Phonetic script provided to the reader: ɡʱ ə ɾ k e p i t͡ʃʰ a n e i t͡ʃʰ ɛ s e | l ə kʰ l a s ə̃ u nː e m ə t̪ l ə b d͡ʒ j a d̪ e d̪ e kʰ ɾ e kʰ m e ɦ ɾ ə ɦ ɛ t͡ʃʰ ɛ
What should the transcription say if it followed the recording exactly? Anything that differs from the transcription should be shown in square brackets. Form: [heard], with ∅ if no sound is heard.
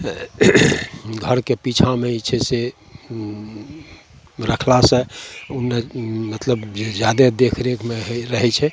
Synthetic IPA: ɡʱ ə ɾ k e p i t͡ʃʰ a [m] e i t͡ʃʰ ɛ s e | [ɾ] ə kʰ l a s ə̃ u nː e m ə t̪ l ə b d͡ʒ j a d̪ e d̪ e kʰ ɾ e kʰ m e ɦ ɾ ə ɦ ɛ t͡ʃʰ ɛ